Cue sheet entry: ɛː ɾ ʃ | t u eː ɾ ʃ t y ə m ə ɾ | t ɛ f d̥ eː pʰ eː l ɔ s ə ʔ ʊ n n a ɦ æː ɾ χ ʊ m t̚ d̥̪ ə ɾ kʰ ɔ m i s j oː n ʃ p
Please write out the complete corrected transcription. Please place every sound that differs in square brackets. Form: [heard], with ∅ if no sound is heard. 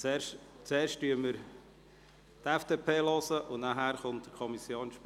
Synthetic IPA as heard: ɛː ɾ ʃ | [t͡s] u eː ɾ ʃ t y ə m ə ɾ | t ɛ f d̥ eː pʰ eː l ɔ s ə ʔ ʊ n n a ɦ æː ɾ χ ʊ [n] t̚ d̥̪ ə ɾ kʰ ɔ m i s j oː n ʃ p